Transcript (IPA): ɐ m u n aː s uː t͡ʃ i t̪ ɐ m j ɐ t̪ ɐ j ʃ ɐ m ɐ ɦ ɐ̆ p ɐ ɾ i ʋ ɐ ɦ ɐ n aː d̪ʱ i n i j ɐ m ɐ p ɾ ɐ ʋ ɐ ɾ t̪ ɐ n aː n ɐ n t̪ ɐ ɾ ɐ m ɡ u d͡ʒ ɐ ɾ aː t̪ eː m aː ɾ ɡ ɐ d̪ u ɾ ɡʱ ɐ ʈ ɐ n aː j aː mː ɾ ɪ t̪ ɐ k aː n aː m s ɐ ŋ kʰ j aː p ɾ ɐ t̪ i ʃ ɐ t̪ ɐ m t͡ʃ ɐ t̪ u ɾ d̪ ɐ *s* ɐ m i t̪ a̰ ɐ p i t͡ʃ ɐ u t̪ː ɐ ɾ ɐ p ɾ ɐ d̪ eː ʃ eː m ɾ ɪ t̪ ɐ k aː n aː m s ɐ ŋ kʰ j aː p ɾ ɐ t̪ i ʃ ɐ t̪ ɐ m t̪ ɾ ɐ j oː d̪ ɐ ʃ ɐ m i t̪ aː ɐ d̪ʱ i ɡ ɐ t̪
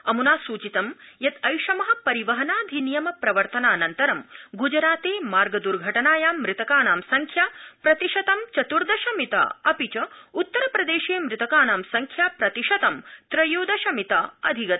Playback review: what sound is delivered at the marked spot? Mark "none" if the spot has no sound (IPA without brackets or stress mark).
ʃ